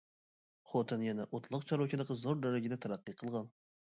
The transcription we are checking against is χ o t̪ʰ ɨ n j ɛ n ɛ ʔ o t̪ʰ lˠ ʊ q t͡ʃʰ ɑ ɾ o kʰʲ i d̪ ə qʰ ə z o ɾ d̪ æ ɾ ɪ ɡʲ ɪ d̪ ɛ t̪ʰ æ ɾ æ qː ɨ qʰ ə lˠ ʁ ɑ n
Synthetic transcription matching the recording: χ o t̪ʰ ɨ n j ɛ n ɛ ʔ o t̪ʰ lˠ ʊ q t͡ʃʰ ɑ ɾ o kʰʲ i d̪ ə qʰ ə z o ɾ d̪ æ ɾ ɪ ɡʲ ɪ d̪ ɛ t̪ʰ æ ɾ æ qː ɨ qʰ ə lˠ ʁ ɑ n